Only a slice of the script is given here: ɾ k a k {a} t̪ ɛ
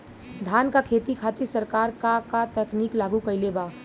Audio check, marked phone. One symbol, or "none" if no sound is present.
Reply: a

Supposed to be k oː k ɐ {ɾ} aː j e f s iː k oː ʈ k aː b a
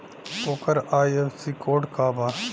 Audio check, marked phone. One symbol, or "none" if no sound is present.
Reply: ɾ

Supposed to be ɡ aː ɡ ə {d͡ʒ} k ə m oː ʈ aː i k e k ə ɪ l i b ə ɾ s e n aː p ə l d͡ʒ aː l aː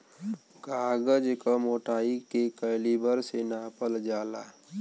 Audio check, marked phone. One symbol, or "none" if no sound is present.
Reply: d͡ʒ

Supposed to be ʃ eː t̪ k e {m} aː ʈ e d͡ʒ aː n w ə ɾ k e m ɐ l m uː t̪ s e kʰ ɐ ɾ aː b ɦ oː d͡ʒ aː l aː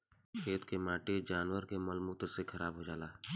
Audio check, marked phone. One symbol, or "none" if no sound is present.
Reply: m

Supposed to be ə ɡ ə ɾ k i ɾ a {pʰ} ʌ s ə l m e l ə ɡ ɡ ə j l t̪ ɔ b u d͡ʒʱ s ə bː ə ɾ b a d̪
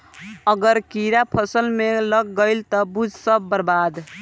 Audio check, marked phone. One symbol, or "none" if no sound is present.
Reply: pʰ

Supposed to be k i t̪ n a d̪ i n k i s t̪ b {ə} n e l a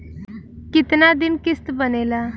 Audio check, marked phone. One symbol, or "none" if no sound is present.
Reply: ə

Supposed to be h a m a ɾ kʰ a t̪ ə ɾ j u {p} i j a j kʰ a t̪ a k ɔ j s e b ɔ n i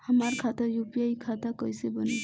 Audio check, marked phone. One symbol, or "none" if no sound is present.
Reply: p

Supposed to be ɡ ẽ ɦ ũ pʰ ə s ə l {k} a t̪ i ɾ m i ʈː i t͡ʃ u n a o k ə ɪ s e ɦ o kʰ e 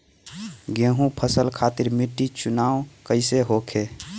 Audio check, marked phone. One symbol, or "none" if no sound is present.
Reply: kʰ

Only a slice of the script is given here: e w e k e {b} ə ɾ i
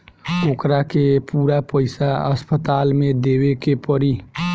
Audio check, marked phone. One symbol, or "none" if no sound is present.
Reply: p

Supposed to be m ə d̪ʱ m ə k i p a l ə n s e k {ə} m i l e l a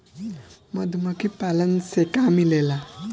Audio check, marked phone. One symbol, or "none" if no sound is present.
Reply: a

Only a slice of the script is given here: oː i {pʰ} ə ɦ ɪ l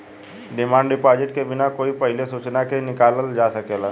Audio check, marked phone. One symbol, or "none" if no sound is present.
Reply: p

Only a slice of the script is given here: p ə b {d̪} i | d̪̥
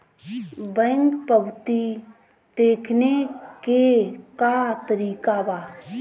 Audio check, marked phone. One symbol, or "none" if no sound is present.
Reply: t̪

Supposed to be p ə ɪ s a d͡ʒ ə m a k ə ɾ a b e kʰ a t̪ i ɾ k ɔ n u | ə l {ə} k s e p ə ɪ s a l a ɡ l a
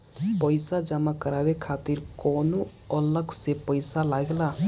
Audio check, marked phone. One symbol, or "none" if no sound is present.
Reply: ə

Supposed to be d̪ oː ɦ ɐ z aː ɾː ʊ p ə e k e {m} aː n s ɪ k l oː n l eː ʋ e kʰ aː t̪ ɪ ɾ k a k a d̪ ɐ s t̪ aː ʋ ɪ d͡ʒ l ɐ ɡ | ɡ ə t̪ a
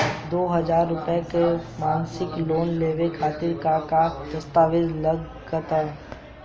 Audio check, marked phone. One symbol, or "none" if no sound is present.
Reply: m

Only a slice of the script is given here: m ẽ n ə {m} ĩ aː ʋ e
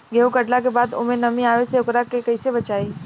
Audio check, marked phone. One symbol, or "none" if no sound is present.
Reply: m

